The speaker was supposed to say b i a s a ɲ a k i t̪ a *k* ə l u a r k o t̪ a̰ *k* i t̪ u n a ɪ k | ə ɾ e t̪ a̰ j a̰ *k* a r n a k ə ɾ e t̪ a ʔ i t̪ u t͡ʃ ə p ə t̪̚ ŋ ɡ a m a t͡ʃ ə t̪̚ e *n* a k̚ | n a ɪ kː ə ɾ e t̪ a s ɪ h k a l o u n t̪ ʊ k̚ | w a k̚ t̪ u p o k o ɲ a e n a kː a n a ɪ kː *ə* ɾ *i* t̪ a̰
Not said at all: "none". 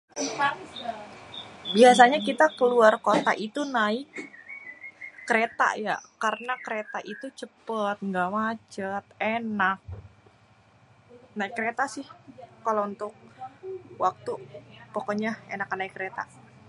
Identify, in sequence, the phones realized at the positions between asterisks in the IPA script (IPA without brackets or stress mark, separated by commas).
k, ʔ, k, n, ə, e